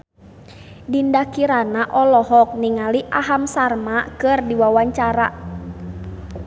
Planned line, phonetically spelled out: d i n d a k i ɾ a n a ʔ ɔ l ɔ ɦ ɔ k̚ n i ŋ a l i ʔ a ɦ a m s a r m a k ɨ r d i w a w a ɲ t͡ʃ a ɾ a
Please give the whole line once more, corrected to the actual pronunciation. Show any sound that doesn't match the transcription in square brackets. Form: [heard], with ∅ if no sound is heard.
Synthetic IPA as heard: d i n d a k i ɾ a n a ʔ ɔ l ɔ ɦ ɔ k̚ n i ŋ a l i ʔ a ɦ a m s a r m a k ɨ r d i w a w a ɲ t͡ʃ a ɾ a